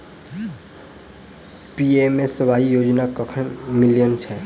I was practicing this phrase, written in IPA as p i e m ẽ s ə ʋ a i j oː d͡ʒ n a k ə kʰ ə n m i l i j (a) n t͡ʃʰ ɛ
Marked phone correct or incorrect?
incorrect